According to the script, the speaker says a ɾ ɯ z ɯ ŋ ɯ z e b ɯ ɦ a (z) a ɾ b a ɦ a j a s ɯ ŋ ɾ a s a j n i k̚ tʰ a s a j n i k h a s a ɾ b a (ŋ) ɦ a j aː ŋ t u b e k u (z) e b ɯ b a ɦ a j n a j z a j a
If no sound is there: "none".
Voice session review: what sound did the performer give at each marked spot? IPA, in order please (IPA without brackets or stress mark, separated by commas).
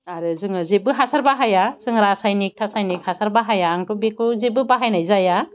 s, none, z